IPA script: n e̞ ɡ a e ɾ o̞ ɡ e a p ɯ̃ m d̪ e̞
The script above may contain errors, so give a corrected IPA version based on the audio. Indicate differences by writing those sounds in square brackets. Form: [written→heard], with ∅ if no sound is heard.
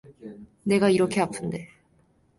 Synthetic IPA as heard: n e̞ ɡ a [e→i] ɾ o̞ [ɡ→k] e a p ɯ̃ [m→n] d̪ e̞